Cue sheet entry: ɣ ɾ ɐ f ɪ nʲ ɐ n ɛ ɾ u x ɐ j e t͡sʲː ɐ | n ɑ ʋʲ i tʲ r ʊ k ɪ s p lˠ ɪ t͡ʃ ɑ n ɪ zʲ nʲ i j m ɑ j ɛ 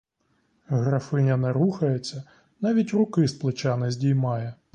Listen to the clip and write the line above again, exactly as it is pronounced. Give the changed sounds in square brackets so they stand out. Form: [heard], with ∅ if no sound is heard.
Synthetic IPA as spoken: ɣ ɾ ɐ f ɪ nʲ ɐ n ɛ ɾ u x ɐ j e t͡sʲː ɐ | n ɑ ʋʲ i tʲ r ʊ k ɪ s p lˠ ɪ t͡ʃ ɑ n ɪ zʲ [dʲ] i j m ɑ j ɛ